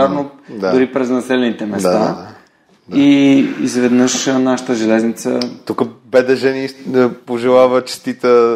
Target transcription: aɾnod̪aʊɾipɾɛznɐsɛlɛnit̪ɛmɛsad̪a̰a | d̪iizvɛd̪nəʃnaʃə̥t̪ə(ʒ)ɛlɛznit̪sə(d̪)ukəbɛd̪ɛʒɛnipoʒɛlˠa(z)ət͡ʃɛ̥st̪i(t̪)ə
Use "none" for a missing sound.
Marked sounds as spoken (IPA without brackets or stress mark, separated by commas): ʒ, t̪, v, t̪